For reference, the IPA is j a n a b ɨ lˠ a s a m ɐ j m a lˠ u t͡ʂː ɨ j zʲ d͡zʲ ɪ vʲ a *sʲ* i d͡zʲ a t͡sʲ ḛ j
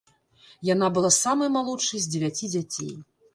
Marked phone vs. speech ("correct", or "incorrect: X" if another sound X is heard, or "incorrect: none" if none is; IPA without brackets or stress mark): incorrect: t͡sʲ